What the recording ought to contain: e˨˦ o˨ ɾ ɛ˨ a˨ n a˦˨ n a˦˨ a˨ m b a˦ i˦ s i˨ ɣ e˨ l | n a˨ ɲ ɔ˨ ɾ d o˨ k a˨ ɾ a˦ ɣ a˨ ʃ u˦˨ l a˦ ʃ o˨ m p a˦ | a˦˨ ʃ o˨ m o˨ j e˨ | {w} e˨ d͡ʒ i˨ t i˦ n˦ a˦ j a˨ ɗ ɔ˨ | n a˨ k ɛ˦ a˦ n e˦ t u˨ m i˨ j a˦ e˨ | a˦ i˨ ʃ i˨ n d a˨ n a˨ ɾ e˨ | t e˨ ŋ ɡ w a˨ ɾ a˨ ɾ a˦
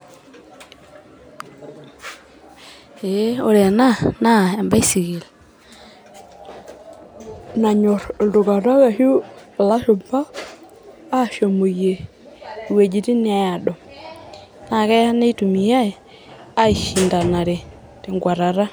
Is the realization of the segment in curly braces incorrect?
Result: no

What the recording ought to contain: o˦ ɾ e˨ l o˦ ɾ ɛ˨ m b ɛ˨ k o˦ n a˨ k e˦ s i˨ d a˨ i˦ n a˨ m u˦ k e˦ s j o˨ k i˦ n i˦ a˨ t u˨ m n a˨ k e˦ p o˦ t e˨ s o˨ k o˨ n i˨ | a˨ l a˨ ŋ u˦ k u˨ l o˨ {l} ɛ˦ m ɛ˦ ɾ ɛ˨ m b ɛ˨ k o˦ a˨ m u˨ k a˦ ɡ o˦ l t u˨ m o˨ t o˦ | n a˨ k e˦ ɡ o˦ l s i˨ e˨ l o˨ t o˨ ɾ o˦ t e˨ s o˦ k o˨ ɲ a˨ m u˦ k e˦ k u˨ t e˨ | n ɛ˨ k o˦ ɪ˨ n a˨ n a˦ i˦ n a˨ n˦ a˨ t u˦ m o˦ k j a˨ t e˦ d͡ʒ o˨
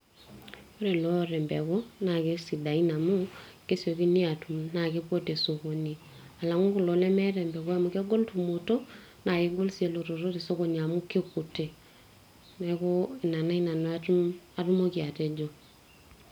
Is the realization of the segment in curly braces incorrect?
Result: no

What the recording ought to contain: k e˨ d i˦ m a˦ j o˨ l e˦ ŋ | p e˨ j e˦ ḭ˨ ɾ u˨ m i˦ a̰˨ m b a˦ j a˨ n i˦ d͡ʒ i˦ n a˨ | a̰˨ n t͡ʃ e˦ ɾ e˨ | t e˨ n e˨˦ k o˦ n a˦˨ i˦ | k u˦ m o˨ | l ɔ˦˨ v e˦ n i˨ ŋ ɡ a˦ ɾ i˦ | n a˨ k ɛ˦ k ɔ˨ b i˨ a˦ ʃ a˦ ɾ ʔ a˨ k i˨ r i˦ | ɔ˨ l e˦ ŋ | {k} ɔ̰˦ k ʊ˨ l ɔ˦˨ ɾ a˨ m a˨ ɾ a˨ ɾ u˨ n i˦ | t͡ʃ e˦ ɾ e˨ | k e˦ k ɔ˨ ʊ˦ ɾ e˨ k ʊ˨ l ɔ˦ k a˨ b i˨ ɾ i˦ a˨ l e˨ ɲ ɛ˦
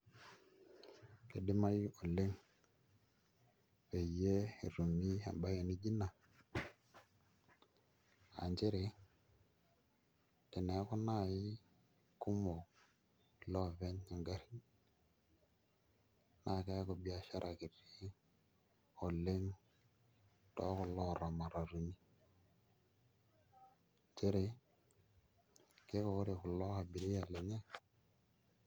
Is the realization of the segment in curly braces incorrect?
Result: yes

